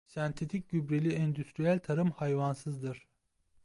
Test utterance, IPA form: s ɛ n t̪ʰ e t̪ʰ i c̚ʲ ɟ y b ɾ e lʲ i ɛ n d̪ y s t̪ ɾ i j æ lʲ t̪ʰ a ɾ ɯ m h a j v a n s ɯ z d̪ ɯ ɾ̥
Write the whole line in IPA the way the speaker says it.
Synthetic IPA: s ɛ n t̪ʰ e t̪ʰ i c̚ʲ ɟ y b ɾ e lʲ i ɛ n d̪ y s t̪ ɾ i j æ lʲ t̪ʰ a ɾ ɯ m h a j v a n s ɯ z d̪ ɯ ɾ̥